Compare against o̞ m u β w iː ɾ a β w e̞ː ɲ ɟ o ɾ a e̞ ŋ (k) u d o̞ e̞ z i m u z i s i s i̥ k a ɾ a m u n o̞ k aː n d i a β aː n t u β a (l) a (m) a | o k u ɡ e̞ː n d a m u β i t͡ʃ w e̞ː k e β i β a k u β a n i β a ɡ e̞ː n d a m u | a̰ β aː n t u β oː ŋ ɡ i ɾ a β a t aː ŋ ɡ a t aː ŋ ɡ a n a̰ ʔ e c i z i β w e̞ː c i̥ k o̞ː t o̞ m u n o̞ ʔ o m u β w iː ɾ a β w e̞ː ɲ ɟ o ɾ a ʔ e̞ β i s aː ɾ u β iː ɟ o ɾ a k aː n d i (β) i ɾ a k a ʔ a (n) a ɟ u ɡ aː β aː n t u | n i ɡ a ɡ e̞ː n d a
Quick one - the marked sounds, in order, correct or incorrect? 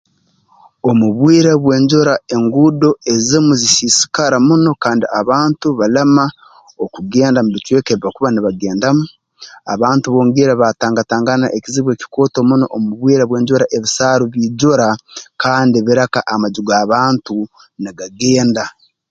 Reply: incorrect: ɡ, correct, correct, correct, incorrect: m

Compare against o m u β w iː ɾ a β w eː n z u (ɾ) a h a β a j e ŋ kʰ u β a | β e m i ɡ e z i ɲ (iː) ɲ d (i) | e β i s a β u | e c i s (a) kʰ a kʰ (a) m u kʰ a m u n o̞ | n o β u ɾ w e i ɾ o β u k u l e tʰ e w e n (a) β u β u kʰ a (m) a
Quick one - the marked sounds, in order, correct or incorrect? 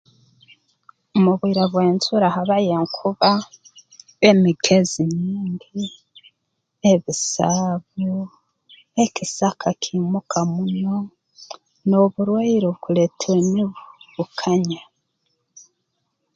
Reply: correct, correct, correct, correct, incorrect: i, incorrect: i, incorrect: ɲ

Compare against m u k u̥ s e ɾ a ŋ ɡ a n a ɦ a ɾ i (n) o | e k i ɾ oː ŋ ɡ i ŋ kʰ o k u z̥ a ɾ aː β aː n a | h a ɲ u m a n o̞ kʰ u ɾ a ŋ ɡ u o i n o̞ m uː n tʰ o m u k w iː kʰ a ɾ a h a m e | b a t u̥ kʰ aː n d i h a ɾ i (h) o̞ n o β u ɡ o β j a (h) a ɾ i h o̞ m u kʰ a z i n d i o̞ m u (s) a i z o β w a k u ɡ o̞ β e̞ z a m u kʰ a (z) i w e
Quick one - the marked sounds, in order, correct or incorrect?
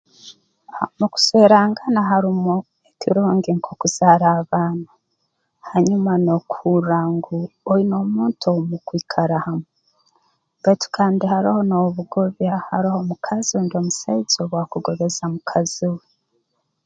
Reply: incorrect: m, correct, correct, correct, correct

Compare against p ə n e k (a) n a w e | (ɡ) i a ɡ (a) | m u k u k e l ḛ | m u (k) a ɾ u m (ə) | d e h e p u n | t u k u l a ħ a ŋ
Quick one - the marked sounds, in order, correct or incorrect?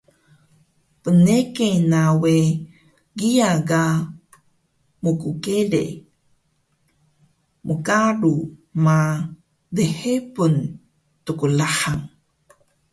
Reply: incorrect: e, correct, correct, correct, incorrect: a

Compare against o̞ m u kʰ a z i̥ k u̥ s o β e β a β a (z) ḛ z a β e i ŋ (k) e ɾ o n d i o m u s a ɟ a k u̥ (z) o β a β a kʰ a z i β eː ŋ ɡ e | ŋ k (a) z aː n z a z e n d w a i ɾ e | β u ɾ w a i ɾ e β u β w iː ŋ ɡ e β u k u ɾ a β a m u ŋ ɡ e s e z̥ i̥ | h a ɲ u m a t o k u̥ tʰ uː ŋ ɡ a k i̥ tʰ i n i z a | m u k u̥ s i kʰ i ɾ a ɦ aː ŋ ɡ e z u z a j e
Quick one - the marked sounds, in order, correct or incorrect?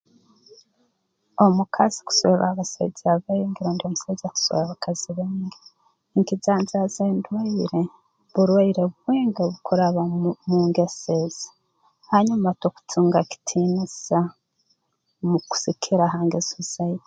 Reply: incorrect: s, incorrect: ɡ, incorrect: s, incorrect: i

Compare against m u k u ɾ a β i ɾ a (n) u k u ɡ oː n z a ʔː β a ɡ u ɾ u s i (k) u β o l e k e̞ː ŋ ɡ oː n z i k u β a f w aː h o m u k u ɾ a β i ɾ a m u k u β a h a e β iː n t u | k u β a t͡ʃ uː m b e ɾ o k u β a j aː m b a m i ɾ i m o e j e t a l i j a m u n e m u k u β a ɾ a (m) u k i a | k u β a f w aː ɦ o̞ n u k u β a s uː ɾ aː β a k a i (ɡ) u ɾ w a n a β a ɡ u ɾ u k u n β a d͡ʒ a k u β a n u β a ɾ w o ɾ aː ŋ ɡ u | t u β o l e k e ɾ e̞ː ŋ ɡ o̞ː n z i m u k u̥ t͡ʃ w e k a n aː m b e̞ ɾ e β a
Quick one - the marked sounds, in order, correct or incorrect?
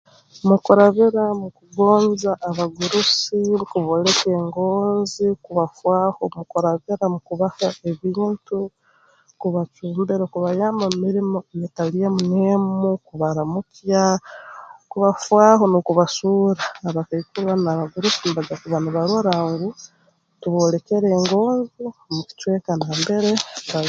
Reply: incorrect: m, correct, correct, incorrect: k

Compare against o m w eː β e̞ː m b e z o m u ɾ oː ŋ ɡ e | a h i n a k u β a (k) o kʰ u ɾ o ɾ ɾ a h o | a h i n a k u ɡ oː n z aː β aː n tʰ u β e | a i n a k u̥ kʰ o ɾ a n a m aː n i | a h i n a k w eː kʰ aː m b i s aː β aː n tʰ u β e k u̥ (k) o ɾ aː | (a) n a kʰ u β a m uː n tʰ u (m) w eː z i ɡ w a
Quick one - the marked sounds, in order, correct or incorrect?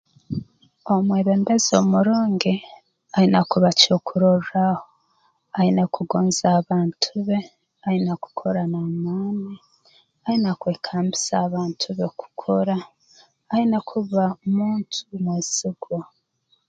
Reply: incorrect: c, incorrect: kʰ, incorrect: i, correct

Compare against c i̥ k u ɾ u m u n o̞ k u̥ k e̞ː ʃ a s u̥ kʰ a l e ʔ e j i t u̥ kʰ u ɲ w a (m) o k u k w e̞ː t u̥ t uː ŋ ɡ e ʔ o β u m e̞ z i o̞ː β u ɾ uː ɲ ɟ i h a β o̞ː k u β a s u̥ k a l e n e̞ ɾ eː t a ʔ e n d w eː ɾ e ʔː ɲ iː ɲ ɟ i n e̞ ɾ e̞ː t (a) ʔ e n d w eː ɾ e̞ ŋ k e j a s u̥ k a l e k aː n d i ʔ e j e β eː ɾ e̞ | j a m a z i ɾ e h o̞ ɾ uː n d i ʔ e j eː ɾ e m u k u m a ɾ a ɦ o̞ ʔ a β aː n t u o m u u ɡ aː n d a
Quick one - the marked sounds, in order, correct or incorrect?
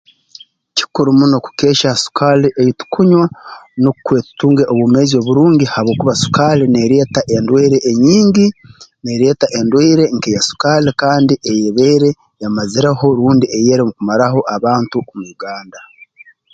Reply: incorrect: n, correct

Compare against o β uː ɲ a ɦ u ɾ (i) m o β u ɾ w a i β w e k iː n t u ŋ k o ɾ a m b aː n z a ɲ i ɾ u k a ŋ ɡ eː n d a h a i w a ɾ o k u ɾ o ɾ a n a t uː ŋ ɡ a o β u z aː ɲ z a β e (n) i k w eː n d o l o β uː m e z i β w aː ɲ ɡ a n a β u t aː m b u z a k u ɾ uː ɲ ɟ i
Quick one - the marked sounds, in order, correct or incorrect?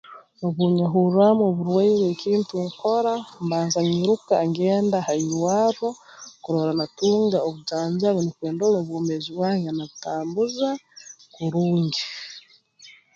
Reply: incorrect: a, correct

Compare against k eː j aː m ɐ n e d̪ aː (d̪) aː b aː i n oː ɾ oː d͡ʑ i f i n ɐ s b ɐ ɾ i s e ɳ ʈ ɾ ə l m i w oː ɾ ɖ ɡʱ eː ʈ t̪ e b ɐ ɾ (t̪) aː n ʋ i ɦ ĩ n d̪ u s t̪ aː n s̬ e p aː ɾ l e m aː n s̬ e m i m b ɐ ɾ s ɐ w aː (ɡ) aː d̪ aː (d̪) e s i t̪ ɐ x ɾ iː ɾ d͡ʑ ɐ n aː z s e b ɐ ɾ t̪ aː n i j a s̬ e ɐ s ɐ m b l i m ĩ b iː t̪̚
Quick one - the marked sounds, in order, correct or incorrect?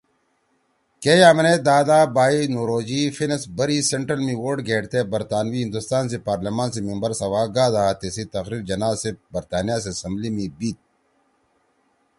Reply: correct, correct, correct, incorrect: t̪

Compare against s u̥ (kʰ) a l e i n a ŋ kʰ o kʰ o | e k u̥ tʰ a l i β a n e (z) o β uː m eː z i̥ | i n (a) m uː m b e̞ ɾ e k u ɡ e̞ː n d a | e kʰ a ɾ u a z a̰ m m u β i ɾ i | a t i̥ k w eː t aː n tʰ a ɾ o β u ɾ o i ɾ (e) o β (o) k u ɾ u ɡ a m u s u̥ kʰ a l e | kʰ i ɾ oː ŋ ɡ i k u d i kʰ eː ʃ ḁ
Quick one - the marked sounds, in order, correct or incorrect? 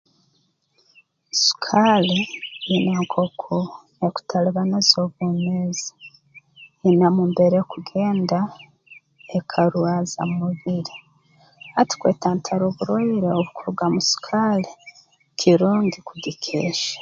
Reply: correct, correct, correct, correct, incorrect: u

